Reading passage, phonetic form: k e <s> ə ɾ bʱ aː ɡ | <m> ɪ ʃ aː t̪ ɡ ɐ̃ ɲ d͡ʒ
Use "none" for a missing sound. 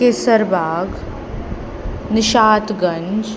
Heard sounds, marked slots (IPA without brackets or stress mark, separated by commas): s, n